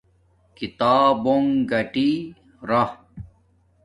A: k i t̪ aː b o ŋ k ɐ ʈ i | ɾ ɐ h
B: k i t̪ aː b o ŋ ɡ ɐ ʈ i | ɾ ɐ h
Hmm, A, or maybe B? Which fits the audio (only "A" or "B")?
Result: B